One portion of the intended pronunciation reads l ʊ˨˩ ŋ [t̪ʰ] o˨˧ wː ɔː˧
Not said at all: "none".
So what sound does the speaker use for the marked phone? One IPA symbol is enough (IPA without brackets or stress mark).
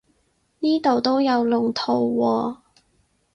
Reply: t̪ʰ